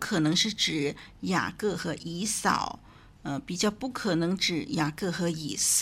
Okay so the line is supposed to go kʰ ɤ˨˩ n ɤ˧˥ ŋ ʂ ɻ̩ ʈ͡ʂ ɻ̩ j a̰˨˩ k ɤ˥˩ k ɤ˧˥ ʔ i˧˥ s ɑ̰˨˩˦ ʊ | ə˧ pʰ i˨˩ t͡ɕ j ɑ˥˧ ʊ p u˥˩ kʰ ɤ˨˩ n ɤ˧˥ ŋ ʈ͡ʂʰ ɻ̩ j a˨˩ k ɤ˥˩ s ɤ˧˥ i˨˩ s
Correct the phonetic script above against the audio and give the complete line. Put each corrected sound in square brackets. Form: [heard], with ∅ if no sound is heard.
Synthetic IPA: kʰ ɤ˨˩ n ɤ˧˥ ŋ ʂ ɻ̩ ʈ͡ʂ ɻ̩ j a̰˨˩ k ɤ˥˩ [x] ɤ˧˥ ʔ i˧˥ s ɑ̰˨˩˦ ʊ | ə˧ [p] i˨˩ t͡ɕ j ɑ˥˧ ʊ p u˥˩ kʰ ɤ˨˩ n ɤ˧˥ ŋ [ʈ͡ʂ] ɻ̩ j a˨˩ k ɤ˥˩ [x] ɤ˧˥ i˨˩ s